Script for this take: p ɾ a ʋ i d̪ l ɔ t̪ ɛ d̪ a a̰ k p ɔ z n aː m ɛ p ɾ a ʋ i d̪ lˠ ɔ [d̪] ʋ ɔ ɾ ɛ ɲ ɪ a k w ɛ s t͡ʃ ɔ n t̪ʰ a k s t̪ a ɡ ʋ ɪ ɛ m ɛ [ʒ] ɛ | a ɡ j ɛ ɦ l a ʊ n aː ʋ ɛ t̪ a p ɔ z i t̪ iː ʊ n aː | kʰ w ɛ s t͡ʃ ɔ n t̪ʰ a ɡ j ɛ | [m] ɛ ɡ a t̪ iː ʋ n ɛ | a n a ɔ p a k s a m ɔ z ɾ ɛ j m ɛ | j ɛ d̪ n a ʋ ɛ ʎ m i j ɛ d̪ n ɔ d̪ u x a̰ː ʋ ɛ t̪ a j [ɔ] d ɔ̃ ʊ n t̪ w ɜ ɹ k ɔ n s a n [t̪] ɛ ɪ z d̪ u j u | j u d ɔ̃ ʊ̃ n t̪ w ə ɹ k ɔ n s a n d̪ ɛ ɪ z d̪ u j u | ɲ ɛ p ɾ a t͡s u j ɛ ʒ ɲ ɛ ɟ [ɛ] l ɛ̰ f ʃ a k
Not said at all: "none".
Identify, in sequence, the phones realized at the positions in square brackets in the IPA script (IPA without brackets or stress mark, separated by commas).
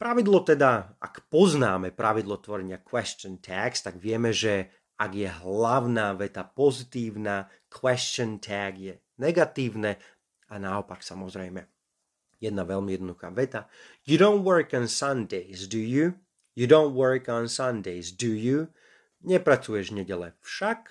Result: t̪, ʒ, n, u, d̪, ɛ